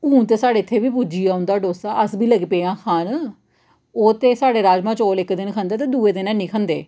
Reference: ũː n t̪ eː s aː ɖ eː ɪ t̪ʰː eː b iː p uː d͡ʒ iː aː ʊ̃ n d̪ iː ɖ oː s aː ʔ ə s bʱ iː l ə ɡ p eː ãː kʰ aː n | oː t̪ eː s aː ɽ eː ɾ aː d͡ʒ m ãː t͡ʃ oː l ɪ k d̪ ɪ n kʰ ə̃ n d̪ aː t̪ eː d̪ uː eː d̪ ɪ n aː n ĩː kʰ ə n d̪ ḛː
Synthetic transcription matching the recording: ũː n t̪ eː s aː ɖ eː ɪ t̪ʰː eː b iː p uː d͡ʒ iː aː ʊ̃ n d̪ aː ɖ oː s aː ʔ ə s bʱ iː l ə ɡ p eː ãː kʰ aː n | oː t̪ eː s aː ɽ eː ɾ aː d͡ʒ m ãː t͡ʃ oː l ɪ k d̪ ɪ n kʰ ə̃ n d̪ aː t̪ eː d̪ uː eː d̪ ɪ n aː n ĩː kʰ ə n d̪ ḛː